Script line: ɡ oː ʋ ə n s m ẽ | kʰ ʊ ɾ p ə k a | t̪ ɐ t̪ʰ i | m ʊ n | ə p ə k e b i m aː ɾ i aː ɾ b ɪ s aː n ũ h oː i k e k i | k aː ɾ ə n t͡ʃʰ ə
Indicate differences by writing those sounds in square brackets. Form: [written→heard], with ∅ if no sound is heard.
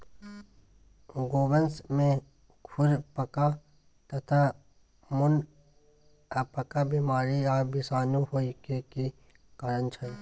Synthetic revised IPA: ɡ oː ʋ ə n s m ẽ | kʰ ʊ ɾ p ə k a | t̪ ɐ t̪ʰ [i→a] | m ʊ n | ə p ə k [e→a] b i m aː ɾ i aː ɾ b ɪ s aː n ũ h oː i k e k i | k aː ɾ ə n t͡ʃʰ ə